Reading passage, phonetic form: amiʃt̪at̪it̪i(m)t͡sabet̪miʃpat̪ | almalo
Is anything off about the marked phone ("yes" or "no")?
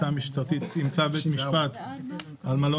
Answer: no